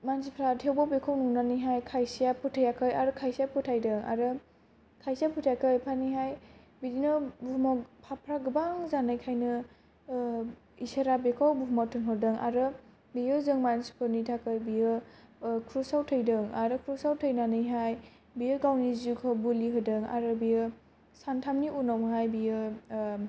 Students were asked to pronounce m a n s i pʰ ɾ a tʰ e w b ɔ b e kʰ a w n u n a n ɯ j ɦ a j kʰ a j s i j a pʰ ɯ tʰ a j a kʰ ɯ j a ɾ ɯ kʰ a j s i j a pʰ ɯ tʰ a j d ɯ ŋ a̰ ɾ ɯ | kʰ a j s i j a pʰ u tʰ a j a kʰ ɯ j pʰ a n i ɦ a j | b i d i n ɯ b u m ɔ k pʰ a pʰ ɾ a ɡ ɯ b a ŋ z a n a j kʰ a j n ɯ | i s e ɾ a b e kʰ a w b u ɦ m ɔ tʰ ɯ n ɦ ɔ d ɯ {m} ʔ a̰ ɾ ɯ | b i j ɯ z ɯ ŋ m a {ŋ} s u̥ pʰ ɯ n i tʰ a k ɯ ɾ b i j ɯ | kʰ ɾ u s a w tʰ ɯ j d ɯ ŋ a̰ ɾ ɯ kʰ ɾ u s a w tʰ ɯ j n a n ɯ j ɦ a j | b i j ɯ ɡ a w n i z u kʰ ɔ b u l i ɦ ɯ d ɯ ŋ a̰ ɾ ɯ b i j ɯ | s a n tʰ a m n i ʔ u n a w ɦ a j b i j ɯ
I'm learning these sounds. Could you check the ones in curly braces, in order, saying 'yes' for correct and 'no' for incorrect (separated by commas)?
no, no